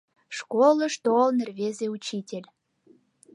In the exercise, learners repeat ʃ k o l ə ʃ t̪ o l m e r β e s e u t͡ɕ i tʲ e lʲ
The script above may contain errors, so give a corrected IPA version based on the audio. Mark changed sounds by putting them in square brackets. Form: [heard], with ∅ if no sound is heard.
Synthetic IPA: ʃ k o l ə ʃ t̪ o l [n] e r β e [z] e u t͡ɕ i tʲ e lʲ